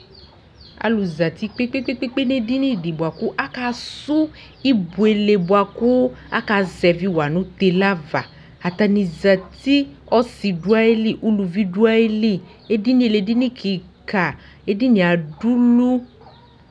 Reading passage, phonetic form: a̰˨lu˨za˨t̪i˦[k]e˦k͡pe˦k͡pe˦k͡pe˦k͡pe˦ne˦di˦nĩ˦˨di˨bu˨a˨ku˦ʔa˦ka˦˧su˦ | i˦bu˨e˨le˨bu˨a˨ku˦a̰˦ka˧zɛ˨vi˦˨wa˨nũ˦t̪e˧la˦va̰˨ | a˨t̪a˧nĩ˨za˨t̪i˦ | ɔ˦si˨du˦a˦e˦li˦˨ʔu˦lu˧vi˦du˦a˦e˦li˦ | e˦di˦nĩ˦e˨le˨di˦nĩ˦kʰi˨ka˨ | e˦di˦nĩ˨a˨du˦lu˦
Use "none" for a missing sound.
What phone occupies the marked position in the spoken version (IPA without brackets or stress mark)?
k͡p